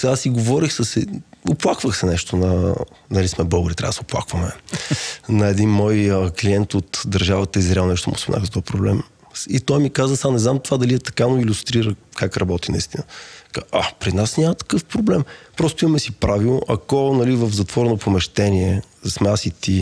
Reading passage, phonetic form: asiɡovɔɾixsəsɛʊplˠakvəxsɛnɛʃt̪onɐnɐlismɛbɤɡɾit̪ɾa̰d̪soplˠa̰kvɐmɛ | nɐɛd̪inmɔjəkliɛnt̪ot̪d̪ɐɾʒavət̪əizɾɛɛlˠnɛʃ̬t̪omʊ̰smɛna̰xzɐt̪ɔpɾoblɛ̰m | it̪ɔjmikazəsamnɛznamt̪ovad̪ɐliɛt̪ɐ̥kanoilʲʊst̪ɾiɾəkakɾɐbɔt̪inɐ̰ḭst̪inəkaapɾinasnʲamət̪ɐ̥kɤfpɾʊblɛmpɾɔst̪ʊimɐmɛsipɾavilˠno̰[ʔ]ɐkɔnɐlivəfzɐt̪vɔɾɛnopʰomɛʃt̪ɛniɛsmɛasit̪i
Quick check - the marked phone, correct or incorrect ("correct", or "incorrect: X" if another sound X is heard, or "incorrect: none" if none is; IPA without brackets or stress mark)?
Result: correct